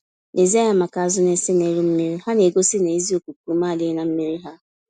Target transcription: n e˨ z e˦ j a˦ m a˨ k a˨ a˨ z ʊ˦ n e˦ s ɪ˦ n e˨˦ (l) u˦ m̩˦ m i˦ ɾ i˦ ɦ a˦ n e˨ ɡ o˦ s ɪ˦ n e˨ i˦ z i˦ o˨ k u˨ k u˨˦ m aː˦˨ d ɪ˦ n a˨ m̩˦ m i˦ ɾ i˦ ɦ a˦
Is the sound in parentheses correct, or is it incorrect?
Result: incorrect